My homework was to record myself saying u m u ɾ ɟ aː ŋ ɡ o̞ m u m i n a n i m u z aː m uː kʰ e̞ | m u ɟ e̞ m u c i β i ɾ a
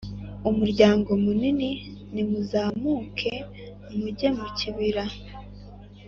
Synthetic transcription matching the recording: u m u ɾ ɟ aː ŋ ɡ o̞ m u n i n i n i m u z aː m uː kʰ e̞ | m u ɟ e̞ m u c i β i ɾ a